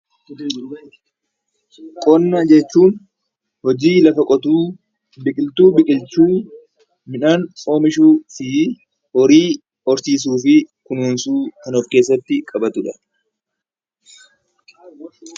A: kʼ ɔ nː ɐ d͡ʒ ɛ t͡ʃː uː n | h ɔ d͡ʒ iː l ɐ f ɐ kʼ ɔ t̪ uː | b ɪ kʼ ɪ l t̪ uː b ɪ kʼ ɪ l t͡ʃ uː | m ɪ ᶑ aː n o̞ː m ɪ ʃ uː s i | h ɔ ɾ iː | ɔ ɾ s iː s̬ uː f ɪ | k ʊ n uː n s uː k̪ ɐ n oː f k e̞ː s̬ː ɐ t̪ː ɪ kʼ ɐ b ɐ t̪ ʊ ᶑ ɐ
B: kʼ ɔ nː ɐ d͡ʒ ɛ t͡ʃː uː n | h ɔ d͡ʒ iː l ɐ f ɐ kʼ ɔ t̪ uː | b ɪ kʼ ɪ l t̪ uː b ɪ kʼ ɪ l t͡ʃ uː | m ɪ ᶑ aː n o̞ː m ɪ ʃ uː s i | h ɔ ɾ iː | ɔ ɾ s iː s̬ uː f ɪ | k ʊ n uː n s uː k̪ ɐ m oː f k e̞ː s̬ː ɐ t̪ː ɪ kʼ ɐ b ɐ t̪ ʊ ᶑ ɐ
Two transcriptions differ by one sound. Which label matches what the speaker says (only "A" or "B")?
A